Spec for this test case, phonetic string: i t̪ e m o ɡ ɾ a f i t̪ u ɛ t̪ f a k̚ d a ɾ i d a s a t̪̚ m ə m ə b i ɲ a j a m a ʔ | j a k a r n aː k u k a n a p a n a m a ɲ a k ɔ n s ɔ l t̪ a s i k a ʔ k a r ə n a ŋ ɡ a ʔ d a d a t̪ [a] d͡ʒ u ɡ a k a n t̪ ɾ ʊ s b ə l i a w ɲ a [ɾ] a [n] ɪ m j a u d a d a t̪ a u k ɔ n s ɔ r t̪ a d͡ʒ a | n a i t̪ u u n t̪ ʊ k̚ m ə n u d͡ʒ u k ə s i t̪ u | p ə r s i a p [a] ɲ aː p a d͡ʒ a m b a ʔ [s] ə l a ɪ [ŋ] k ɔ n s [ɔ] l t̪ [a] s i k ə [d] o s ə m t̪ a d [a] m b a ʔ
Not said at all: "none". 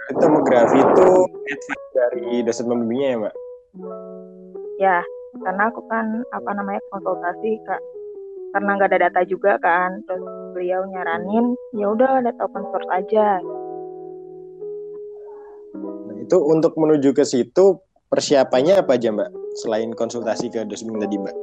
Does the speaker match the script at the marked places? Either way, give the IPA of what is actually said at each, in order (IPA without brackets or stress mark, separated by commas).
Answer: a, ɾ, n, a, s, n, u, a, d, i